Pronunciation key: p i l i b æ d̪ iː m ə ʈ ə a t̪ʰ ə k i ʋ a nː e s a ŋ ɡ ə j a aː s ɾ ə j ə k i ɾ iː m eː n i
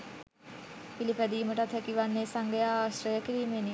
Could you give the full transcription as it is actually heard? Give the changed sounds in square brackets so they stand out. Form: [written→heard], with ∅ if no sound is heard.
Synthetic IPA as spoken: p i l i [b→p] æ d̪ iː m ə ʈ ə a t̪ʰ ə k i ʋ a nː e s a ŋ ɡ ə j a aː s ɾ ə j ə k i ɾ iː m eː n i